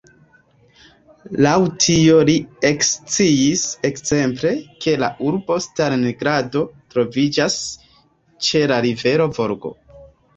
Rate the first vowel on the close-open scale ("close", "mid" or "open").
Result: open